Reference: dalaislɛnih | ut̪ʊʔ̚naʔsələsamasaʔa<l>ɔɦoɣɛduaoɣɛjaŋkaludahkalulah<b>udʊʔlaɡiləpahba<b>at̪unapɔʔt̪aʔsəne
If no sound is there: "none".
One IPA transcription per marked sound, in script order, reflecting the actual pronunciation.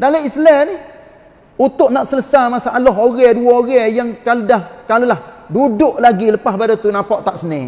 l, d, d

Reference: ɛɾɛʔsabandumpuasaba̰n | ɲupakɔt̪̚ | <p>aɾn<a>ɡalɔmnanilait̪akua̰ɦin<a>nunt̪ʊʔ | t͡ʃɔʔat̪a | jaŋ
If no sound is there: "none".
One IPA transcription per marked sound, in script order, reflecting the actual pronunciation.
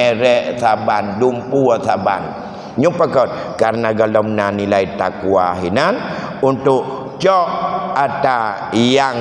k, a, a

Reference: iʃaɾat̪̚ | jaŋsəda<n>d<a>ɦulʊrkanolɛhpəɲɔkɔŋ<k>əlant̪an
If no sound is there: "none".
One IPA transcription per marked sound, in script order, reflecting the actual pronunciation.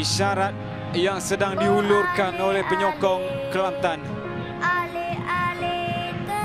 ŋ, i, k

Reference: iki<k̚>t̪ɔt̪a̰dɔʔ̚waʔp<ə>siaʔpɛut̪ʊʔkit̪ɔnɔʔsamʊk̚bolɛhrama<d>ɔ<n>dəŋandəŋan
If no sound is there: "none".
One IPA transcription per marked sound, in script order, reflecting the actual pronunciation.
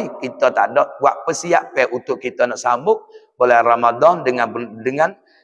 none, ə, d, n

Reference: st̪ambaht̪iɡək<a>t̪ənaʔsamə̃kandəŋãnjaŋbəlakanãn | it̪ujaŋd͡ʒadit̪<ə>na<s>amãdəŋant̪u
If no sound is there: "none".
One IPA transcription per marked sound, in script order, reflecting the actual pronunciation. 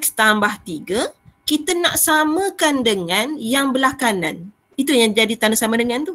i, a, s

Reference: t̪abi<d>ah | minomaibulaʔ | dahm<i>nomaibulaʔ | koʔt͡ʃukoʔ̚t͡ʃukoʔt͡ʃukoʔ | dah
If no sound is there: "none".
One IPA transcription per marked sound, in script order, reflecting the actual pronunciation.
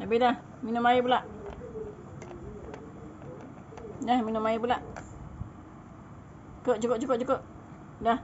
d, i

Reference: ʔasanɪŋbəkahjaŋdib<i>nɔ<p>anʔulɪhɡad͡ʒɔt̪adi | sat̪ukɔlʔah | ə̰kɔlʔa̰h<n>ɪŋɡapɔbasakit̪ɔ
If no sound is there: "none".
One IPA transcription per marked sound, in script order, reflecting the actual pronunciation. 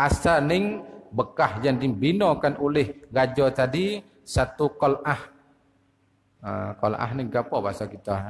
i, k, n

